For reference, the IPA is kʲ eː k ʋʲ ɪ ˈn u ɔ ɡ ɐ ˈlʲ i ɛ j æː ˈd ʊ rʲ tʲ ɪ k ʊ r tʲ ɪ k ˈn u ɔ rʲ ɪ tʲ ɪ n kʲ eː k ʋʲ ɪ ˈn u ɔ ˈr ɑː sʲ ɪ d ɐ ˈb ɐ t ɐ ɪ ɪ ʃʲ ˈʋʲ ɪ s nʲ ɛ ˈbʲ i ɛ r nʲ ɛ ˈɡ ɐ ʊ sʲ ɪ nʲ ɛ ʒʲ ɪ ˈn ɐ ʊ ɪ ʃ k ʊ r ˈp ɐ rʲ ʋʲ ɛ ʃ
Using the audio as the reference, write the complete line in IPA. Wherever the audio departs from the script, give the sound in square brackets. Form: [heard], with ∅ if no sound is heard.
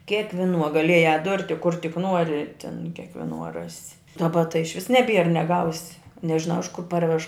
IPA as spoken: kʲ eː k ʋʲ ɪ ˈn u ɔ ɡ ɐ ˈlʲ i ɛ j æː ˈd ʊ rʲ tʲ ɪ k ʊ r tʲ ɪ k ˈn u ɔ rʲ ɪ tʲ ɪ n kʲ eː k ʋʲ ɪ ˈn u ɔ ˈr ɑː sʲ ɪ d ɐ ˈb ɐ t ɐ ɪ ɪ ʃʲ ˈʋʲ ɪ s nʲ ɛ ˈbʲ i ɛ r nʲ ɛ ˈɡ ɐ ʊ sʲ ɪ nʲ ɛ ʒʲ ɪ ˈn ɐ ʊ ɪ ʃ k ʊ r ˈp ɐ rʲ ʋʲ ɛ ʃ